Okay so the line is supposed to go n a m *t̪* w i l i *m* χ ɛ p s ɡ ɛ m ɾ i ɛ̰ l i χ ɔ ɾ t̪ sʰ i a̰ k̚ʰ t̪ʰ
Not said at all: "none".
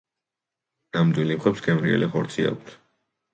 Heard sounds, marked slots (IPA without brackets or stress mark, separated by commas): d̪, m